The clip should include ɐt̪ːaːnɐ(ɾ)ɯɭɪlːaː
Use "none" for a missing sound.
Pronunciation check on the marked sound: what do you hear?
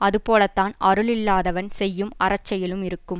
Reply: ɾ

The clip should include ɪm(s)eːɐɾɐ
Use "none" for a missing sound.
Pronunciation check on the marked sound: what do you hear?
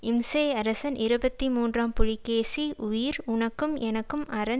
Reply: s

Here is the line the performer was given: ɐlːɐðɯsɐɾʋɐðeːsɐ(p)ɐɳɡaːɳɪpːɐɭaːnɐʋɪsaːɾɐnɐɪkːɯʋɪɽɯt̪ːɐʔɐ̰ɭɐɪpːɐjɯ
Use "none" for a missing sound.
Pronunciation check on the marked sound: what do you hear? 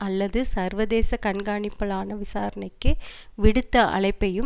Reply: k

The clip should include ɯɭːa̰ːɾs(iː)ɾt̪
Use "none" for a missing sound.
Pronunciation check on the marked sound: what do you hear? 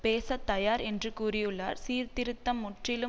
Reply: iː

